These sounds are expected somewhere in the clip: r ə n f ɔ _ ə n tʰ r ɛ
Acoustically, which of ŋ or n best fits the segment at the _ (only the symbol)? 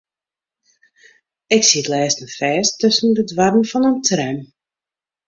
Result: n